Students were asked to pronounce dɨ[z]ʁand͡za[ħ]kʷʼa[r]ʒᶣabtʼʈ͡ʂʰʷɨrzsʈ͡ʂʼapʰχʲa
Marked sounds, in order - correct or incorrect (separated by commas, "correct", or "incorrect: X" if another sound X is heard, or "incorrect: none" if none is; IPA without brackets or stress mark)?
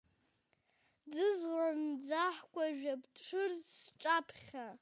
correct, correct, incorrect: none